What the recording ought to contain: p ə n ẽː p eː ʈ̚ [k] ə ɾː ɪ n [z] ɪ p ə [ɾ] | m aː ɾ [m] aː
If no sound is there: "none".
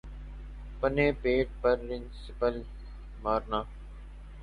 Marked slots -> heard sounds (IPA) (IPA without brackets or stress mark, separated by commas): p, s, l, n